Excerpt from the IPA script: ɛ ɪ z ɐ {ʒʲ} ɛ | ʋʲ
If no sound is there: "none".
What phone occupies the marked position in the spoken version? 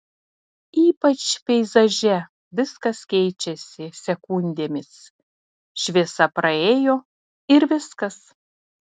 ʒʲ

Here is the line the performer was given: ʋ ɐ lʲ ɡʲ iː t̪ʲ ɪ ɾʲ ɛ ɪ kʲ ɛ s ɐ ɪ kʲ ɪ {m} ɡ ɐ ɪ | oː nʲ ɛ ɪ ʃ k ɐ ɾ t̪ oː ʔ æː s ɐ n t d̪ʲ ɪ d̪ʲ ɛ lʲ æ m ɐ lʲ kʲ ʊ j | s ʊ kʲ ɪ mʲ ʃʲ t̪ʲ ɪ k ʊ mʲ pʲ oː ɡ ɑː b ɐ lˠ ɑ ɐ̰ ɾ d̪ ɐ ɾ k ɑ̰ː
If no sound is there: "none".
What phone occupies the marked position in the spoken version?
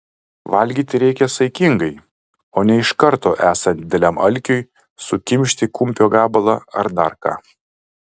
ŋ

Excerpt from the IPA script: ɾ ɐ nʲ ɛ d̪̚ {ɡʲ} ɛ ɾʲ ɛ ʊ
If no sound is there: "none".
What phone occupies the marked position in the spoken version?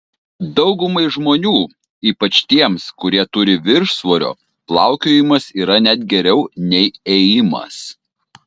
ɡʲ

